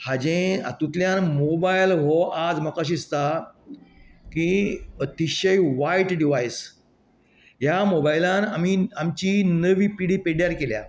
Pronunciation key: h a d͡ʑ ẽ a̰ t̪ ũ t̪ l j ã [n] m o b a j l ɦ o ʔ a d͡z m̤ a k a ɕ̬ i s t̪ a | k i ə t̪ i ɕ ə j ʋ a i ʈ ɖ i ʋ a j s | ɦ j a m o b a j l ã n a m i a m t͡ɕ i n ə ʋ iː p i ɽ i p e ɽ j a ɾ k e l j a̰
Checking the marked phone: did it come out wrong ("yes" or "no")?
no